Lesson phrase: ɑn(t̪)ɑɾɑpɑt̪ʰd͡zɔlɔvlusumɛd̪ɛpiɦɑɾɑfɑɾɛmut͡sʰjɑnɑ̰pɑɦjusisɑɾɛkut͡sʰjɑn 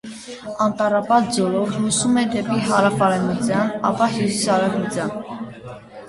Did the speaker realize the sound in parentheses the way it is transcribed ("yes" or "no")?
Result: yes